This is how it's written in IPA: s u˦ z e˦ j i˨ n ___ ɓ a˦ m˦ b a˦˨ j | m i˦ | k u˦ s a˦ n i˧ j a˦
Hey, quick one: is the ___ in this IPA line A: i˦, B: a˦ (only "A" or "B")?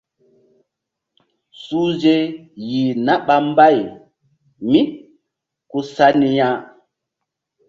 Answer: B